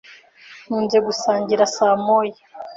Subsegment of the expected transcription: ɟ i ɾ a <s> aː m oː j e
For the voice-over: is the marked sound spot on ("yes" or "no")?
yes